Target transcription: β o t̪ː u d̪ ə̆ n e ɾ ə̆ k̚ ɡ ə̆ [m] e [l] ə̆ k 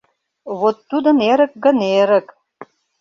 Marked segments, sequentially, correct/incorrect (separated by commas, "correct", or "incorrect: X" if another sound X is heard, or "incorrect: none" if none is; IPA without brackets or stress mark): incorrect: n, incorrect: ɾ